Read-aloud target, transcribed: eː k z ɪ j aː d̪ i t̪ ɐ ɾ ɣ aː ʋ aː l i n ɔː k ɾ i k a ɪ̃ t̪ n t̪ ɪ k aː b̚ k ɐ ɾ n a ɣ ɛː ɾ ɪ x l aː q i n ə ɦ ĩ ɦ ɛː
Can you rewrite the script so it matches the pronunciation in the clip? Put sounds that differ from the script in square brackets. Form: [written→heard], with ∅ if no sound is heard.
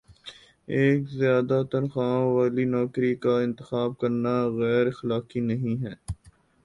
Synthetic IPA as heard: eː k z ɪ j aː d̪ [i→a] t̪ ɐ ɾ [ɣ→x] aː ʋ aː l i n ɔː k ɾ i k a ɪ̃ [t̪→∅] n t̪ ɪ [k→x] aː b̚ k ɐ ɾ n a ɣ ɛː ɾ ɪ x l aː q i n [ə→ɐ] ɦ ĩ ɦ ɛː

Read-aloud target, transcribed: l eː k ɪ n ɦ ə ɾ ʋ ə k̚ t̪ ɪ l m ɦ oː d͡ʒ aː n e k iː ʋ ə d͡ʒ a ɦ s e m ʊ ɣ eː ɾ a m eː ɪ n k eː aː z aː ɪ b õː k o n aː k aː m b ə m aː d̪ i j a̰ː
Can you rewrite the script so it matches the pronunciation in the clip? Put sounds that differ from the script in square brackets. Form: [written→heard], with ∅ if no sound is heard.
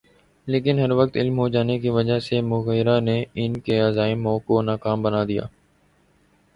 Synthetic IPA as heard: l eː k ɪ n ɦ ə ɾ ʋ ə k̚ t̪ ɪ l m ɦ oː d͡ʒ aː n e k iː ʋ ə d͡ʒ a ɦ s e m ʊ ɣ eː ɾ a [m→n] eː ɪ n k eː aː z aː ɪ [b→m] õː k o n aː k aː m b ə [m→n] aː d̪ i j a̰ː

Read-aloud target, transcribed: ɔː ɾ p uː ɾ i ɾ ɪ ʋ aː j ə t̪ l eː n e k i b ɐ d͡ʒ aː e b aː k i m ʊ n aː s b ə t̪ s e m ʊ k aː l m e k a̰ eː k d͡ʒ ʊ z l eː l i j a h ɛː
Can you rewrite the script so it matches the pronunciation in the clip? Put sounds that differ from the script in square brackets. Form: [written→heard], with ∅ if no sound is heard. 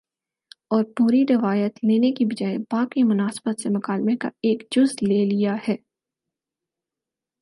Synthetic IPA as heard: ɔː ɾ p uː ɾ i ɾ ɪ ʋ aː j ə t̪ l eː n e k i b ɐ d͡ʒ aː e b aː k i m ʊ n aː s b ə t̪ s e m ʊ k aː l m e k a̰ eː k d͡ʒ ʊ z l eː l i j a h ɛː

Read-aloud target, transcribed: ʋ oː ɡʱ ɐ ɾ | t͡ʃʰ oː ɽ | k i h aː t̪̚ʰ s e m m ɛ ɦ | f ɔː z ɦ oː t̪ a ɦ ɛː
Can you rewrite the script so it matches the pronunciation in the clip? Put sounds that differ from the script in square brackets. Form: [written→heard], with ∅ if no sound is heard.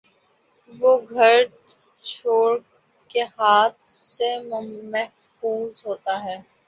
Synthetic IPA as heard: ʋ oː ɡʱ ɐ ɾ | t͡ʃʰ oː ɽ | k [i→e] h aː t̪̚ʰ s e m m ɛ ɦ | f [ɔː→uː] z ɦ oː t̪ a ɦ ɛː

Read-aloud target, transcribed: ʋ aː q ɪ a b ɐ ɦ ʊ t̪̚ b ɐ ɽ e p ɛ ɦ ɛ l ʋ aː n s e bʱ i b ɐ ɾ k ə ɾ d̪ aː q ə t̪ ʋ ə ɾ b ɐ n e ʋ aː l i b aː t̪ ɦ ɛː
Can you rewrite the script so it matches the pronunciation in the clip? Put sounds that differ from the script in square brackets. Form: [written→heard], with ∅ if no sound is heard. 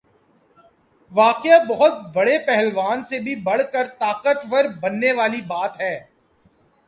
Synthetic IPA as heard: ʋ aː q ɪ a b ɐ ɦ ʊ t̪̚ b ɐ ɽ e p ɛ ɦ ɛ l ʋ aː n s e bʱ i b ɐ [ɾ→ɽ] k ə ɾ [d̪→t̪] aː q ə t̪ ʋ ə ɾ b ɐ [n→nː] e ʋ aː l i b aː t̪ ɦ ɛː

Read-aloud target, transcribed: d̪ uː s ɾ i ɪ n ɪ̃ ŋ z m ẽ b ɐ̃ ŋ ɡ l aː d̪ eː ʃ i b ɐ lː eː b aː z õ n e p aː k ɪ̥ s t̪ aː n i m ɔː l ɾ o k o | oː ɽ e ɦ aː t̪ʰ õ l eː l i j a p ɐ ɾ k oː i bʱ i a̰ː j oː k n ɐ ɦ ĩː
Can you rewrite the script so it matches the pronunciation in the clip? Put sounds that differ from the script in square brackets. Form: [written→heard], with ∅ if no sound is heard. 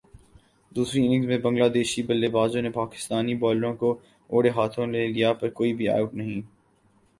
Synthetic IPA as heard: d̪ uː s ɾ i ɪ n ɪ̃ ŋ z m ẽ b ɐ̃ ŋ ɡ l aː d̪ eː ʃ i b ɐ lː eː b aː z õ n e p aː k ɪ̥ s t̪ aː n i [m→b] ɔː l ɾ [o→õ] k o | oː ɽ e ɦ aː t̪ʰ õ l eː l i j a p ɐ ɾ k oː i bʱ i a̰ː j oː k n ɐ ɦ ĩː

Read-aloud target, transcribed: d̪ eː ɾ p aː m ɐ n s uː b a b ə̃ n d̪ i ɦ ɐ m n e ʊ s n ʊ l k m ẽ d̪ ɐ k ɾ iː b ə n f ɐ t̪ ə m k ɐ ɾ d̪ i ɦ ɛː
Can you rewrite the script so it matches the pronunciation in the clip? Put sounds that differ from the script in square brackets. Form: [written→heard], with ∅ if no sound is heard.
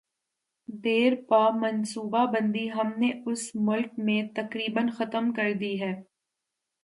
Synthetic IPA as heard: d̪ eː ɾ p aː m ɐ n s uː b a b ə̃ n d̪ i ɦ ɐ m n e ʊ s [n→m] ʊ l k m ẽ [d̪→t̪] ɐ k ɾ iː b ə n [f→x] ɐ t̪ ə m k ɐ ɾ d̪ i ɦ ɛː

